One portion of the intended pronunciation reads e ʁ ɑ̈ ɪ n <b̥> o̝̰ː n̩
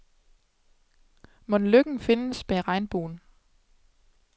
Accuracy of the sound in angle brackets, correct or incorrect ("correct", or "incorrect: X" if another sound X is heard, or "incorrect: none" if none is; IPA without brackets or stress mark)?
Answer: correct